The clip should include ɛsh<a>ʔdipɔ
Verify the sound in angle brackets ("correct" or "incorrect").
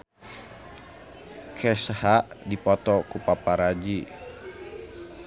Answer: correct